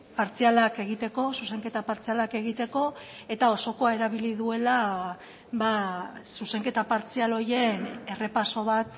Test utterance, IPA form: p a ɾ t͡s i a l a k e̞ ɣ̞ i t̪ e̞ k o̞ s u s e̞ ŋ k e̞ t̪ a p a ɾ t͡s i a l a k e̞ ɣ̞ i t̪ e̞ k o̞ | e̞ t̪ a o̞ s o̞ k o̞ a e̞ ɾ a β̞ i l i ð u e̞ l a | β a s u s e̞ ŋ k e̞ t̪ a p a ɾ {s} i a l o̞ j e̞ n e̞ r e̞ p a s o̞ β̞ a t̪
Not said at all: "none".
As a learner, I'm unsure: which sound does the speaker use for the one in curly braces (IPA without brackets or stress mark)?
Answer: t͡s